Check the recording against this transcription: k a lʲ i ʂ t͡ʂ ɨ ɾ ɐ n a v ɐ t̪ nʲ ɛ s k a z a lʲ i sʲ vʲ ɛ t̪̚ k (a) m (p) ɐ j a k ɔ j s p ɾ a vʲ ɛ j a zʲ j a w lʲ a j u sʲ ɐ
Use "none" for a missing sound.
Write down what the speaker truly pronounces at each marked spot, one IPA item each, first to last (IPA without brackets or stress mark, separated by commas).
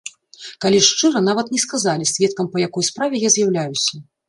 ɐ, p